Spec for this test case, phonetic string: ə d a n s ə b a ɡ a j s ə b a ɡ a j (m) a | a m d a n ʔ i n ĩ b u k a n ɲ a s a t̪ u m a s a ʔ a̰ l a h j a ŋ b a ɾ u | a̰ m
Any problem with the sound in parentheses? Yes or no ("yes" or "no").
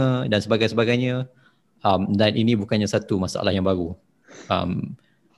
yes